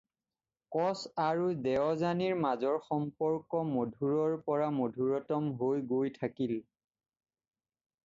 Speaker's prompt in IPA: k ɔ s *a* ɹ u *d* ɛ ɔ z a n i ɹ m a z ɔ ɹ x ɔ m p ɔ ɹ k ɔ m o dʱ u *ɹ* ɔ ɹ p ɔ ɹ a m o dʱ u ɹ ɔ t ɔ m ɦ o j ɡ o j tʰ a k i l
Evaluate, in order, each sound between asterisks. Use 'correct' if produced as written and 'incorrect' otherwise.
correct, correct, correct

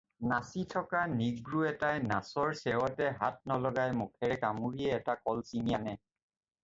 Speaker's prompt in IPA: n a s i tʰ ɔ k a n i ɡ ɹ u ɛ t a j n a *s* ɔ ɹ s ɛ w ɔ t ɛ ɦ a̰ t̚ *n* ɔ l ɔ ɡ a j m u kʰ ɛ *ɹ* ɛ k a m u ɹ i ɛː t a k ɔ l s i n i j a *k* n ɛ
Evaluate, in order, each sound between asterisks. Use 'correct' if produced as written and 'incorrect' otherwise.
correct, correct, correct, incorrect: none

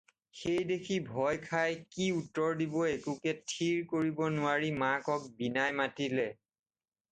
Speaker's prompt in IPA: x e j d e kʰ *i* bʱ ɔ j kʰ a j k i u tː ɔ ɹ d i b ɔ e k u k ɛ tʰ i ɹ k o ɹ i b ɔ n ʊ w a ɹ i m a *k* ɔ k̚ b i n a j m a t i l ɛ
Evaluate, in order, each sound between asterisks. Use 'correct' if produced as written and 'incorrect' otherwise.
correct, correct

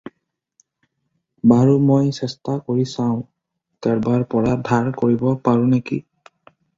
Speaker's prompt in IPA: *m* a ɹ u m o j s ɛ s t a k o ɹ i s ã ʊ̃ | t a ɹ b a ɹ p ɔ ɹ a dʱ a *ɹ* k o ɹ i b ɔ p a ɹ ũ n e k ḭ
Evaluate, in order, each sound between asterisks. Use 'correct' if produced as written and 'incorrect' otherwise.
incorrect: b, correct

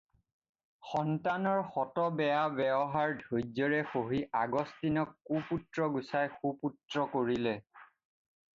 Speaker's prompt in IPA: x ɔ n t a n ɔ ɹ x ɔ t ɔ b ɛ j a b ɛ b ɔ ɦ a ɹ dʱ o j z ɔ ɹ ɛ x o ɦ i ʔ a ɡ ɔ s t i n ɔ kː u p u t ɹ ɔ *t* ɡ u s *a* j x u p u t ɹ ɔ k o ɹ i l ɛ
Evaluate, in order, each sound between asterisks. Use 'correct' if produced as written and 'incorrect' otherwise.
incorrect: none, correct

